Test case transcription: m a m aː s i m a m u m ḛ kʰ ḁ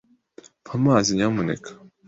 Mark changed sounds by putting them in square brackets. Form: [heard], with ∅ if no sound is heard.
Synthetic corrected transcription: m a m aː [z] i [ɲ] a m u [n] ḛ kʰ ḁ